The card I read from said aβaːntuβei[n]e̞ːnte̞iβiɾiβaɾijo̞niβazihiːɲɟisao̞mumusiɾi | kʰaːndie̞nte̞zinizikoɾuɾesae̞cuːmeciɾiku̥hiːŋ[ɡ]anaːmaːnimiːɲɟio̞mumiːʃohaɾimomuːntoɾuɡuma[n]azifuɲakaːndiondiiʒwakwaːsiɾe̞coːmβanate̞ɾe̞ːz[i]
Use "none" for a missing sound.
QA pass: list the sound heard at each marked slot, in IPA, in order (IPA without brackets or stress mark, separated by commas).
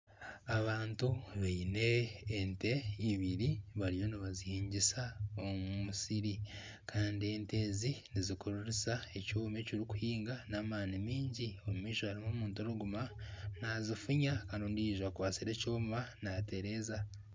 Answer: n, ɡ, n, a